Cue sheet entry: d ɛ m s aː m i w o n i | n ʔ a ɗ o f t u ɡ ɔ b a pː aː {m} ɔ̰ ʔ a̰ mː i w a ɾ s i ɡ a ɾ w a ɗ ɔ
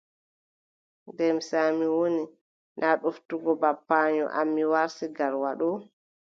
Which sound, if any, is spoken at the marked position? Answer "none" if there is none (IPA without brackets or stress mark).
ɲ